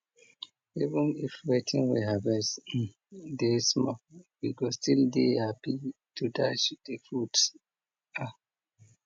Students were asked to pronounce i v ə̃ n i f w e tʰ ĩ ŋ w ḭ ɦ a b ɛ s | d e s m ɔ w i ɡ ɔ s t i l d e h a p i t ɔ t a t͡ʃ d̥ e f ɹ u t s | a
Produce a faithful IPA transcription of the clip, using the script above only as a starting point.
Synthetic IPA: i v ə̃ n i f w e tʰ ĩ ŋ w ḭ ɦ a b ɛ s | d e s m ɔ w i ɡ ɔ s t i l d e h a p i t u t a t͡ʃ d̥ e f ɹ u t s | a